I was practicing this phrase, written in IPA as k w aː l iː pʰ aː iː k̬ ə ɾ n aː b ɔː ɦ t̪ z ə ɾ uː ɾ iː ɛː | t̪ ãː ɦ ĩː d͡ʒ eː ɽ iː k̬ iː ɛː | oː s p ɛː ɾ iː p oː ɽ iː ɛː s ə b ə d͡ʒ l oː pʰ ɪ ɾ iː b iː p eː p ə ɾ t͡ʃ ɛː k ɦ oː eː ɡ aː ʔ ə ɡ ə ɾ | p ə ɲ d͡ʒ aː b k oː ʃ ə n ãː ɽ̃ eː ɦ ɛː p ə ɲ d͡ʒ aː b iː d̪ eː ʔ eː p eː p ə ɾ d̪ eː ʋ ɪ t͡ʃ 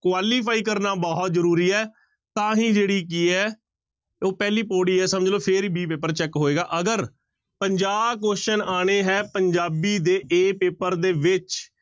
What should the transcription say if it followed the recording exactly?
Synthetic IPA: k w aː l iː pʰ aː iː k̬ ə ɾ n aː b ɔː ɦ t̪ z ə ɾ uː ɾ iː ɛː | t̪ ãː ɦ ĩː d͡ʒ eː ɽ iː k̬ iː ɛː | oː p ɛː l iː p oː ɽ iː ɛː s ə m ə d͡ʒ l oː pʰ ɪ ɾ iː b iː p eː p ə ɾ t͡ʃ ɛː k ɦ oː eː ɡ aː ʔ ə ɡ ə ɾ | p ə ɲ d͡ʒ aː b k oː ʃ ə n aː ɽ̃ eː ɦ ɛː p ə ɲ d͡ʒ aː b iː d̪ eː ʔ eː p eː p ə ɾ d̪ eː ʋ ɪ t͡ʃ

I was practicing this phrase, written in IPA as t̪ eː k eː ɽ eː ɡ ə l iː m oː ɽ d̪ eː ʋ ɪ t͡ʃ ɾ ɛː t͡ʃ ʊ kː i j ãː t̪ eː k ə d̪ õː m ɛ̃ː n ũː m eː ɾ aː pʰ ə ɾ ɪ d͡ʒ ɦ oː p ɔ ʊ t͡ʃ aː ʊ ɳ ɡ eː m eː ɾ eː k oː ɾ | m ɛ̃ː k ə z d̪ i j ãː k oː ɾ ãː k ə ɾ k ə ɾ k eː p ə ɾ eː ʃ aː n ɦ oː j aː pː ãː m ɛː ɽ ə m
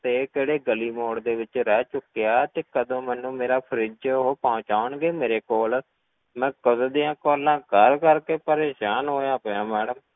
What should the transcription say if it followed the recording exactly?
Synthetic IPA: t̪ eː k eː ɽ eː ɡ ə l iː m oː ɽ d̪ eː ʋ ɪ t͡ʃ ɾ ɛː t͡ʃ ʊ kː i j aː t̪ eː k ə d̪ õː m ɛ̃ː n ũː m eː ɾ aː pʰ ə ɾ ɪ d͡ʒ ɦ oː p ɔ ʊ t͡ʃ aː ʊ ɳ ɡ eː m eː ɾ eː k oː l | m ɛ̃ː k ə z d̪ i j ãː k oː l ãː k ə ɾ k ə ɾ k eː p ə ɾ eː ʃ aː n ɦ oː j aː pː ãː m ɛː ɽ ə m

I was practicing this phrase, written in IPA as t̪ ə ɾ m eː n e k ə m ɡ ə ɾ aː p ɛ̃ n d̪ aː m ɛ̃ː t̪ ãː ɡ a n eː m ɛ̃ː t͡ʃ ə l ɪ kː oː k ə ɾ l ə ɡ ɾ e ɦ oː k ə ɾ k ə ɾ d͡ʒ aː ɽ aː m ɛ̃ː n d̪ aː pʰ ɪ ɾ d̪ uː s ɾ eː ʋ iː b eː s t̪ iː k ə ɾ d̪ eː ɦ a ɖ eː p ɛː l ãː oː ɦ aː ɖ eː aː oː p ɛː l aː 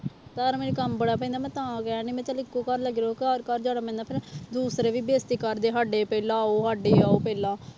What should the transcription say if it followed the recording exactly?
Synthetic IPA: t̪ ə ɾ m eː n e k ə m b ə ɽ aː p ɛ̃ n d̪ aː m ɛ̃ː t̪ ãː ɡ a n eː m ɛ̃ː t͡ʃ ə l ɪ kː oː k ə ɾ l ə ɡ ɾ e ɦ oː k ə ɾ k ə ɾ d͡ʒ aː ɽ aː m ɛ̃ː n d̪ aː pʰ ɪ ɾ d̪ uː s ɾ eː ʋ iː b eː s t̪ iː k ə ɾ d̪ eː ɦ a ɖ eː p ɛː l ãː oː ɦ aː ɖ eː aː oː p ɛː l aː

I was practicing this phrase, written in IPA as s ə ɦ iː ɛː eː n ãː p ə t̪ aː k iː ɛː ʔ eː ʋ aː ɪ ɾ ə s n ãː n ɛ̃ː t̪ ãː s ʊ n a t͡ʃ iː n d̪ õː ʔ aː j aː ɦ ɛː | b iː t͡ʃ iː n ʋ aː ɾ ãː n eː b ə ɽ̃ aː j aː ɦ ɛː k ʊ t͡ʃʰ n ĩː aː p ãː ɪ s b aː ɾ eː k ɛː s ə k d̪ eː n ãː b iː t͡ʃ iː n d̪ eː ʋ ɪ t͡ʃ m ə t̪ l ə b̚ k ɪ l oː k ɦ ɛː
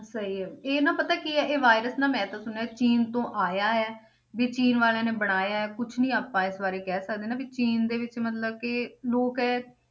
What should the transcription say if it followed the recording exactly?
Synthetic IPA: s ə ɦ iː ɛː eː n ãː p ə t̪ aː k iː ɛː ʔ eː ʋ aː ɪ ɾ ə s n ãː m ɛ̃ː t̪ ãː s ʊ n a t͡ʃ iː n t̪ õː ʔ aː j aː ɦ ɛː | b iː t͡ʃ iː n ʋ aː l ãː n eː b ə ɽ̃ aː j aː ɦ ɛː k ʊ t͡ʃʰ n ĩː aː p ãː ɪ s b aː ɾ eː k ɛː s ə k d̪ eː n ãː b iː t͡ʃ iː n d̪ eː ʋ ɪ t͡ʃ m ə t̪ l ə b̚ k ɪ l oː k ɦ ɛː

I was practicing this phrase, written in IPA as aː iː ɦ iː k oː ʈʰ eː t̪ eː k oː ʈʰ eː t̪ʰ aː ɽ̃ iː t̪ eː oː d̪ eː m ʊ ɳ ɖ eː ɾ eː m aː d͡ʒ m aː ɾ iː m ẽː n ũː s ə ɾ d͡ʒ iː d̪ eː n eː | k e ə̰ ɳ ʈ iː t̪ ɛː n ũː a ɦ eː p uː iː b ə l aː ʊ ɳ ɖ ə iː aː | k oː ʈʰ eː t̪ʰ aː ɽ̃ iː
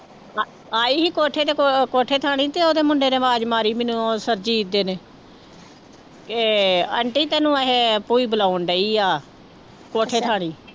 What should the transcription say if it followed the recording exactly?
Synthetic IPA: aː iː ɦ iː k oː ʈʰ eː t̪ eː k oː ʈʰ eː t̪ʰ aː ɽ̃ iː t̪ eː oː d̪ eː m ʊ ɳ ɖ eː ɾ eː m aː d͡ʒ m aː ɾ iː m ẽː n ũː s ə ɾ d͡ʒ iː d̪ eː n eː | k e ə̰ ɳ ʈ iː t̪ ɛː n ũː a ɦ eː p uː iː b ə l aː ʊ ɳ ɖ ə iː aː | k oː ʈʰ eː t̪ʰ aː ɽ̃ iː

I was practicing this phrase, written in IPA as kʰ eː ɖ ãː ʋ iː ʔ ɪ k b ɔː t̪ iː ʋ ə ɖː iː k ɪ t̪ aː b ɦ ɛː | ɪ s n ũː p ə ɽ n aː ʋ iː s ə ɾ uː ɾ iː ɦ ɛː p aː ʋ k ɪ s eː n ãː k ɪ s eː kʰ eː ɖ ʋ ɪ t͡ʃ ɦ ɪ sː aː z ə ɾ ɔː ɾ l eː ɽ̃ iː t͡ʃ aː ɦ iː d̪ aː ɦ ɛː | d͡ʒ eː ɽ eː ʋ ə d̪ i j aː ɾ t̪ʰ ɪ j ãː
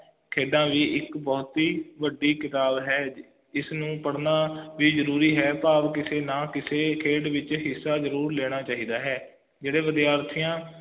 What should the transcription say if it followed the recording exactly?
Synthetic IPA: kʰ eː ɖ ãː ʋ iː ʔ ɪ k b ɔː t̪ iː ʋ ə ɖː iː k ɪ t̪ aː b ɦ ɛː | ɪ s n ũː p ə ɽ n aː ʋ iː z ə ɾ uː ɾ iː ɦ ɛː p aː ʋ k ɪ s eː n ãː k ɪ s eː kʰ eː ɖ ʋ ɪ t͡ʃ ɦ ɪ sː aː z ə ɾ uː ɾ l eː ɽ̃ aː t͡ʃ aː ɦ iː d̪ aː ɦ ɛː | d͡ʒ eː ɽ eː ʋ ə d̪ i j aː ɾ t̪ʰ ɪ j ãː

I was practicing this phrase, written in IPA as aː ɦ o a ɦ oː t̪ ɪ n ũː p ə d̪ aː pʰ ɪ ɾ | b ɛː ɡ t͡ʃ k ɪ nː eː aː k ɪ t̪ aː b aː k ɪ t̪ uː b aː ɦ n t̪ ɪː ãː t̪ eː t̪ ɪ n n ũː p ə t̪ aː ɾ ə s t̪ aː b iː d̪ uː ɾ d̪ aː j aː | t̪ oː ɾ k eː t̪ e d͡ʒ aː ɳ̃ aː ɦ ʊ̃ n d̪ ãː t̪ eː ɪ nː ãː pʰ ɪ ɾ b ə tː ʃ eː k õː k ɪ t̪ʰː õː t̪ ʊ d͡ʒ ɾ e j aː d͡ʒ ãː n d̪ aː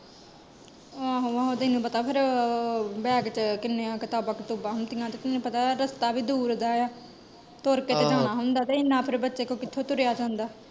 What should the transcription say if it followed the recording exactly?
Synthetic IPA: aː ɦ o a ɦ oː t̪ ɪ n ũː p ə t̪ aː pʰ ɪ ɾ | b ɛː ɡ t͡ʃ k ɪ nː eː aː k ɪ t̪ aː b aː k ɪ t̪ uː b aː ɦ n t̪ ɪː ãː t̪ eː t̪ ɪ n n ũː p ə t̪ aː ɾ ə s t̪ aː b iː d̪ uː ɾ d̪ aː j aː | t̪ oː ɾ k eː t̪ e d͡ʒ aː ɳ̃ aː ɦ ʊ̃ n d̪ aː t̪ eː ɪ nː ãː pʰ ɪ ɾ b ə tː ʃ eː k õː k ɪ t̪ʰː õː t̪ ʊ ɾ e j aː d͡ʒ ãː n d̪ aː

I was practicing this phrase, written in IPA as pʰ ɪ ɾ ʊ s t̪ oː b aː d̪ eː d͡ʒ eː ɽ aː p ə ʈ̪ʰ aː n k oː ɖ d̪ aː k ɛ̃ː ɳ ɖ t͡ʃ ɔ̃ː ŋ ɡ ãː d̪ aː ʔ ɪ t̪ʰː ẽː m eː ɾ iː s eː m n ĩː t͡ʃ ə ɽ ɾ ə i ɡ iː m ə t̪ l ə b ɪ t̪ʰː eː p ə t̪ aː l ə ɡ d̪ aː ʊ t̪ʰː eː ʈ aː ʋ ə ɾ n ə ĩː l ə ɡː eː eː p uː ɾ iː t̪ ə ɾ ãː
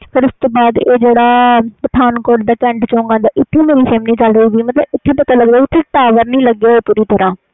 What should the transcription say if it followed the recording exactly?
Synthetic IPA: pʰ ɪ ɾ ʊ s t̪ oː b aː d̪ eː d͡ʒ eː ɽ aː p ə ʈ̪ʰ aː n k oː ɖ d̪ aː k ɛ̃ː ɳ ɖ t͡ʃ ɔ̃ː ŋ ɡ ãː d̪ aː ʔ ɪ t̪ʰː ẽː m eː ɾ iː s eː m n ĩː t͡ʃ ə l ɾ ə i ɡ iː m ə t̪ l ə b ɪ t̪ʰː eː p ə t̪ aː l ə ɡ d̪ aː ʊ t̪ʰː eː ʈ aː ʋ ə ɾ n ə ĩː l ə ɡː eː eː p uː ɾ iː t̪ ə ɾ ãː

